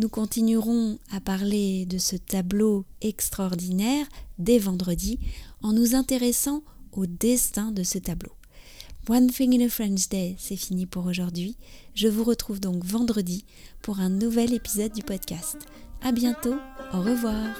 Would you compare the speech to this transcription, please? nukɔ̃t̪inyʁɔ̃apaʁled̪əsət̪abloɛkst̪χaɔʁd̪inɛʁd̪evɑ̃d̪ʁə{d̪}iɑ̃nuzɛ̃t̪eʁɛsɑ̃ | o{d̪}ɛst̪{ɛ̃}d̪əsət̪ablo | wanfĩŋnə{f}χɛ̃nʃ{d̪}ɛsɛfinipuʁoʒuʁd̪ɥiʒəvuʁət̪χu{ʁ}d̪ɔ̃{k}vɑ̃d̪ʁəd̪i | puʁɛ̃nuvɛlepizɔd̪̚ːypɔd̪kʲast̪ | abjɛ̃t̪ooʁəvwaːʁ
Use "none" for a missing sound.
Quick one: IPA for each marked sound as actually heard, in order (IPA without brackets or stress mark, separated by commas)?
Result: d̪, d̪, ɛ̃, f, d̪, v, k